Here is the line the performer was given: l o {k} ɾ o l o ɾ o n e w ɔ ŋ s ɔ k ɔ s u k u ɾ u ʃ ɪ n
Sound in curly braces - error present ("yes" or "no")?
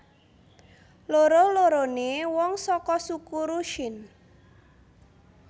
yes